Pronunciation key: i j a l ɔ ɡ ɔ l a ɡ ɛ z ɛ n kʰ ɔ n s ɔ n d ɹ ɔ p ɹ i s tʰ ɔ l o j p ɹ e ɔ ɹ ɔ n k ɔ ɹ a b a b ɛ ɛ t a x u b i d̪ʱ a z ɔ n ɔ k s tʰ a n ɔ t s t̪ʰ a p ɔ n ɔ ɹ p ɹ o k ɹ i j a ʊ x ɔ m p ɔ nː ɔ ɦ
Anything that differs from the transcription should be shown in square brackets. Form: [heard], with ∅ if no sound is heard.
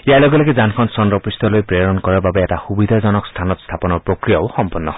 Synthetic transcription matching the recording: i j a l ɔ ɡ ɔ l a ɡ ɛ z [a] n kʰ ɔ n s ɔ n d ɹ ɔ p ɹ i s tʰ ɔ l o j p ɹ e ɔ ɹ ɔ n k ɔ ɹ a b a b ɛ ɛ t a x u b i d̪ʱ a z ɔ n ɔ k s tʰ a n ɔ t s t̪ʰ a p ɔ n ɔ ɹ p ɹ o k ɹ i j a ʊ x ɔ m p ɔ nː ɔ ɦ